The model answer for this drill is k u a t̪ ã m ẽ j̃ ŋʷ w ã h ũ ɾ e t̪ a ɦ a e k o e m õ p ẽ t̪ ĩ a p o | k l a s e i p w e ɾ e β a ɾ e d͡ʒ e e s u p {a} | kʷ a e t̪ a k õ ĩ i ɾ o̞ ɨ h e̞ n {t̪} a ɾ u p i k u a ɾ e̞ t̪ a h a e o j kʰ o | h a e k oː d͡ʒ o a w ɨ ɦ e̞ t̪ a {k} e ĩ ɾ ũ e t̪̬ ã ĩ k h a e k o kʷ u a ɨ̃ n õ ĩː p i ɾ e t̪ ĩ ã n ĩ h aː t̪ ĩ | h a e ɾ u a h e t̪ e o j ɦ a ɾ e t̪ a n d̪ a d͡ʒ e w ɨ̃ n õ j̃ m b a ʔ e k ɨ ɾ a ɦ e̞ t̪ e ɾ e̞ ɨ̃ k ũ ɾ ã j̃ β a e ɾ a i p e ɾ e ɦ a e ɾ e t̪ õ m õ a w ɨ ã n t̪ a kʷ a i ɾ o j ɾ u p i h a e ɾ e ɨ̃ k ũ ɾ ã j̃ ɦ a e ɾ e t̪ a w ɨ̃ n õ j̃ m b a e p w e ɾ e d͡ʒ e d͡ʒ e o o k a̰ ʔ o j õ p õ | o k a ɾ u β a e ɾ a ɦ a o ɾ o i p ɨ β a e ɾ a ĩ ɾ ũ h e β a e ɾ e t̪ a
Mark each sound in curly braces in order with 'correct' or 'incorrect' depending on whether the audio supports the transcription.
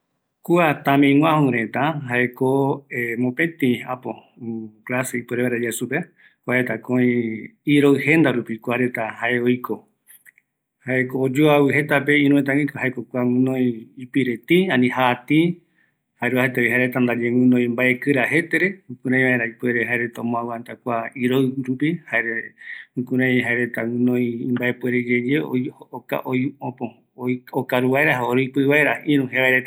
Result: incorrect, incorrect, incorrect

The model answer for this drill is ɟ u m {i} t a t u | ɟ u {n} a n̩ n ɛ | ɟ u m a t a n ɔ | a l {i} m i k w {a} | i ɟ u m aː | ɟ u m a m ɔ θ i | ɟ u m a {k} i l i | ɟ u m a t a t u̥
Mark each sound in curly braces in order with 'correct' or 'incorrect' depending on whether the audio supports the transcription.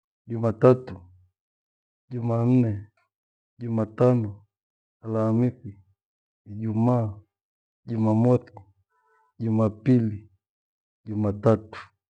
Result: incorrect, incorrect, incorrect, incorrect, incorrect

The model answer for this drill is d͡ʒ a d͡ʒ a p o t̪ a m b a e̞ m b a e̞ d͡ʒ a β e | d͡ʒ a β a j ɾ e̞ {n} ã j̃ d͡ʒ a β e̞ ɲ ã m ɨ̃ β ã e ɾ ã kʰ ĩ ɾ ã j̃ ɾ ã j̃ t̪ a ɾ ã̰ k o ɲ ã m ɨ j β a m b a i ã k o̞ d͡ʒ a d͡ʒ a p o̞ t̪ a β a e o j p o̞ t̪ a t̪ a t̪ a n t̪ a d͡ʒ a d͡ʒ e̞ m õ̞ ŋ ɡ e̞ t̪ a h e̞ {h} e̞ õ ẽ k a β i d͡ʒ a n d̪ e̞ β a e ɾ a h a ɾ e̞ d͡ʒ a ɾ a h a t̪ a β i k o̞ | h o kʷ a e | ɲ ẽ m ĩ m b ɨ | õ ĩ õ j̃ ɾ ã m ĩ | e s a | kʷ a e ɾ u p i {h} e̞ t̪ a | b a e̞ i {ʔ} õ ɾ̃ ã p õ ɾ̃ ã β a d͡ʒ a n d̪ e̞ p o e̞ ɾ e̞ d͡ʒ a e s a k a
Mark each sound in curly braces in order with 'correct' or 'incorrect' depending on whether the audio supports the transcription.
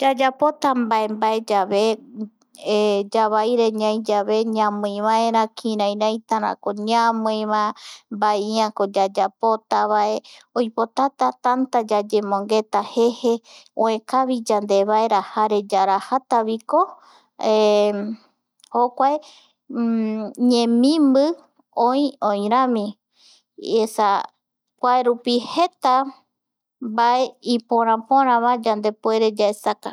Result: incorrect, correct, correct, incorrect

